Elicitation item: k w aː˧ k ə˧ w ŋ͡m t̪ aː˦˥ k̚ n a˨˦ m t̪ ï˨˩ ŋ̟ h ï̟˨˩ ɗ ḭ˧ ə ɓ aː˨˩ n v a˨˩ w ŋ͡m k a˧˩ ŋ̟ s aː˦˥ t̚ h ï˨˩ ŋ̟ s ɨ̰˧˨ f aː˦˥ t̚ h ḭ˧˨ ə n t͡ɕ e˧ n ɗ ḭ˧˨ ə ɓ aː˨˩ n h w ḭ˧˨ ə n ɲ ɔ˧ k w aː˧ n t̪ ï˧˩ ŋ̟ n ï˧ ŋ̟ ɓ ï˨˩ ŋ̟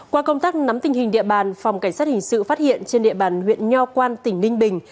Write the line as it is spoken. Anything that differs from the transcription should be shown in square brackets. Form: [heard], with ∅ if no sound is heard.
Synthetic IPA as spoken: k w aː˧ k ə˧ w ŋ͡m t̪ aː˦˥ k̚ n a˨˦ m t̪ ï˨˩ ŋ̟ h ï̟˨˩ ɗ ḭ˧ ə ɓ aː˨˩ n [f] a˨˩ w ŋ͡m k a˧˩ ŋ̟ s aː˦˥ t̚ h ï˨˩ ŋ̟ s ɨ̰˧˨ f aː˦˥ t̚ h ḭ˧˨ ə n t͡ɕ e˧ n ɗ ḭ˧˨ ə ɓ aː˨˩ n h w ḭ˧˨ ə n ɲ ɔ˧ k w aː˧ n t̪ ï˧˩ ŋ̟ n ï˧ ŋ̟ ɓ ï˨˩ ŋ̟

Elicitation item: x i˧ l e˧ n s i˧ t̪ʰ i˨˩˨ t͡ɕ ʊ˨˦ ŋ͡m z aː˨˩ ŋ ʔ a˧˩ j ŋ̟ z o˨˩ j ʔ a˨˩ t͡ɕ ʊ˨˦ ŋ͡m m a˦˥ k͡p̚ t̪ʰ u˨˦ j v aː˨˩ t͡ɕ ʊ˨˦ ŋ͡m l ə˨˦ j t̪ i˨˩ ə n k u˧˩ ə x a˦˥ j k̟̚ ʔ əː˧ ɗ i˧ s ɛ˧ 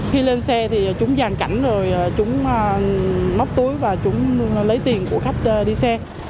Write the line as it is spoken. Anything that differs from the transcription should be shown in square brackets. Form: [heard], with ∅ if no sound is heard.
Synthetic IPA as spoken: x i˧ l e˧ n s [ɛ˧] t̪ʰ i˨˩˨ t͡ɕ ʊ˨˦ ŋ͡m z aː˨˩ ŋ [k] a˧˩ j ŋ̟ z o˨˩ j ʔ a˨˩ t͡ɕ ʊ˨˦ ŋ͡m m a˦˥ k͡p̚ [t̪] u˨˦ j v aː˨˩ t͡ɕ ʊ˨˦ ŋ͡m l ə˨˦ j t̪ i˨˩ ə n k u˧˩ ə x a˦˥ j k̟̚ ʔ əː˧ ɗ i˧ s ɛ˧

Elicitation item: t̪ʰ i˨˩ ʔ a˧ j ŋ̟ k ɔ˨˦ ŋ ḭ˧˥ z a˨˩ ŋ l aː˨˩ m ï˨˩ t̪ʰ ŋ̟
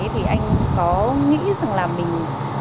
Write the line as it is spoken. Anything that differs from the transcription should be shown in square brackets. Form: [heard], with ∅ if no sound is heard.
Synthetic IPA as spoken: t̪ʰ i˨˩ ʔ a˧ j ŋ̟ k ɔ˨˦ ŋ ḭ˧˥ z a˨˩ ŋ l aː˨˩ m ï˨˩ [∅] ŋ̟

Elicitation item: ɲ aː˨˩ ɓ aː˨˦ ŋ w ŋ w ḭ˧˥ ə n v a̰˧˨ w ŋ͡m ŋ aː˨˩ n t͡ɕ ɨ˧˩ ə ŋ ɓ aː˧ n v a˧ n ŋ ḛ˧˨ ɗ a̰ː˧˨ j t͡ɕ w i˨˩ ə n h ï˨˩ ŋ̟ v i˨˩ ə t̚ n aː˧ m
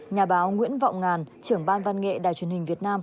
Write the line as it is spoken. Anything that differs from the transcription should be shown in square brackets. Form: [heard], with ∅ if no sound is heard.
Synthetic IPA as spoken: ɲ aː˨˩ ɓ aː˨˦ [∅] w ŋ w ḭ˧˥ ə n v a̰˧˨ w ŋ͡m ŋ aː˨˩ n t͡ɕ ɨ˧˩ ə ŋ ɓ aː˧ n v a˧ n ŋ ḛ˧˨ ɗ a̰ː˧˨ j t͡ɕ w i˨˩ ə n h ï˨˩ ŋ̟ v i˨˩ ə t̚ n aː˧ m

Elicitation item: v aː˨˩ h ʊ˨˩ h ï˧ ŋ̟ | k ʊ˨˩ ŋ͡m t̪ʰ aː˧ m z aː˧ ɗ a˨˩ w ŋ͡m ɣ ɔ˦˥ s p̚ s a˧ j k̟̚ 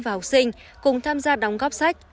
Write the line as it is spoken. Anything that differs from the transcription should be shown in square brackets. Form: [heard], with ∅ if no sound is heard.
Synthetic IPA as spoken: v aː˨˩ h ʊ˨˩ [s] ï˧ ŋ̟ | k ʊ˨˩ ŋ͡m t̪ʰ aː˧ m z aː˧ ɗ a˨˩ w ŋ͡m ɣ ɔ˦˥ [∅] p̚ s [a˦˥] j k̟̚

